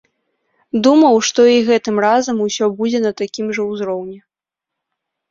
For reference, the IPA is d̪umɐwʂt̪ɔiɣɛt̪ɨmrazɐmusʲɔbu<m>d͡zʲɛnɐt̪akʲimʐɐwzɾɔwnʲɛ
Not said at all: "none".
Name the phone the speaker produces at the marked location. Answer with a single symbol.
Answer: none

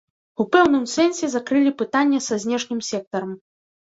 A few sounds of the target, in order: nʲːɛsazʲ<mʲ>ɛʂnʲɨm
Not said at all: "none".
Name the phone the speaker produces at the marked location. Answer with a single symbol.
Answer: nʲ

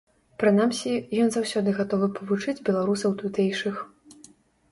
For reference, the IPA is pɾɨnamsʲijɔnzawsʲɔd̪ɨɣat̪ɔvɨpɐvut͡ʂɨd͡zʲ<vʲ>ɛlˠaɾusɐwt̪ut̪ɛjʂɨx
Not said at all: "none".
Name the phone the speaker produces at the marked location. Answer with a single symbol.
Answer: bʲ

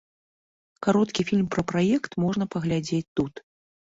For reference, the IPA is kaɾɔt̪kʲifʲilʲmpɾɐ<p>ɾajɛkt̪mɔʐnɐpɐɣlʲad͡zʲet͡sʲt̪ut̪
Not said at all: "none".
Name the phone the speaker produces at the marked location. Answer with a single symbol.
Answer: p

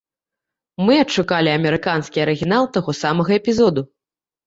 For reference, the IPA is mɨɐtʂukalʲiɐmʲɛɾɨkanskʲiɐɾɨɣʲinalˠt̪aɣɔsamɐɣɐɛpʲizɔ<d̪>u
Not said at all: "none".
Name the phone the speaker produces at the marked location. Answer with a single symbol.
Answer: d̪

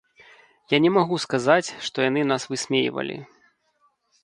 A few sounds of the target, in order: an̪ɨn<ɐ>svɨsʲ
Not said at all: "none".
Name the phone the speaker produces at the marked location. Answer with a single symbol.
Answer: a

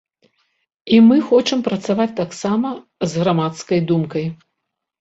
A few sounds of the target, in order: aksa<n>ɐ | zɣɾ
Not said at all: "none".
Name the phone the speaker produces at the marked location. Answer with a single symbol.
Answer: m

